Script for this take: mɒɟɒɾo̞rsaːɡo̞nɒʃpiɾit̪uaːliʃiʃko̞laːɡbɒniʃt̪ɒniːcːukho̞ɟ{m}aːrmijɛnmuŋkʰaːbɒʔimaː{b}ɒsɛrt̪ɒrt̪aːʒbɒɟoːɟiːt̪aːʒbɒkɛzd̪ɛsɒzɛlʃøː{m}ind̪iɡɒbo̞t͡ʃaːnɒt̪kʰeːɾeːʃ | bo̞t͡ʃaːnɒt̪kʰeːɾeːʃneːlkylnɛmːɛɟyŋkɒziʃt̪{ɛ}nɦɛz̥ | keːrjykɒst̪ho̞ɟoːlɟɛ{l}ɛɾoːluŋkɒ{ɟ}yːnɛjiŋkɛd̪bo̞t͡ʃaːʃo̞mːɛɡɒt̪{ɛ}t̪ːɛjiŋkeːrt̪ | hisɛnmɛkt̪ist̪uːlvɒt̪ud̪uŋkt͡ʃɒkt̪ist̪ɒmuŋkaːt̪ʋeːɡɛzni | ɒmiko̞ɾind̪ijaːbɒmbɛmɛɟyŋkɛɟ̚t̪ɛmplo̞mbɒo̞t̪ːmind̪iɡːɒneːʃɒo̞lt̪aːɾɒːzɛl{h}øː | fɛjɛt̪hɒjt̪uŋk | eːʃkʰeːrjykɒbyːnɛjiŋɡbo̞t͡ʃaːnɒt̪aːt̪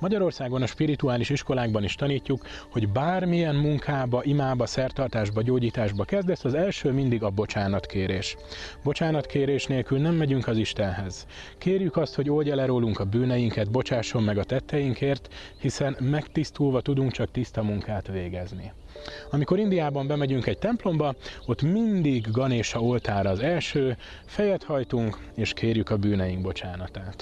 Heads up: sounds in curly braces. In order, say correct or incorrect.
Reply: incorrect: b, correct, correct, correct, correct, incorrect: b, correct, incorrect: ʃ

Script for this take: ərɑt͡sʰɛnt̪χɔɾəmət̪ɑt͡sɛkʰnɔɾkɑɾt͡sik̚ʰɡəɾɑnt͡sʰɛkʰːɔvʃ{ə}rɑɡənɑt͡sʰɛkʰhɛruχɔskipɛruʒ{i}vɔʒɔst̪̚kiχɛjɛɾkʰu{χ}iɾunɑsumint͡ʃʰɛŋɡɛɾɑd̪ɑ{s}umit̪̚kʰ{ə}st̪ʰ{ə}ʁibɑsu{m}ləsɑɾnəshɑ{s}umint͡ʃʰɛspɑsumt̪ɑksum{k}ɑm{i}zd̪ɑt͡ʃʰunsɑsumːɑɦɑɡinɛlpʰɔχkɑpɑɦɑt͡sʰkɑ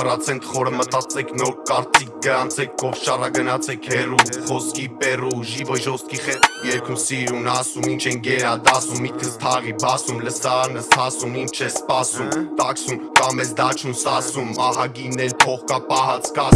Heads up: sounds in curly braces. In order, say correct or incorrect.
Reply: incorrect: ɑ, correct, incorrect: s, correct, correct, incorrect: ɑ, correct, correct, correct, incorrect: ɛ

